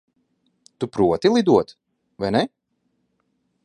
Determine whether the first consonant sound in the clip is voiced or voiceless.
voiceless